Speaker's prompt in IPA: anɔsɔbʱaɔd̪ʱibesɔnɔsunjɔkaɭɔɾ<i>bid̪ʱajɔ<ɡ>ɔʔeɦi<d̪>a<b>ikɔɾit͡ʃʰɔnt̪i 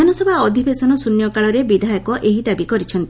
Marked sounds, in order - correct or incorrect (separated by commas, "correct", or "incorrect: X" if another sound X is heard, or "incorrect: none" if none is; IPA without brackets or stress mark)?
incorrect: e, incorrect: k, correct, correct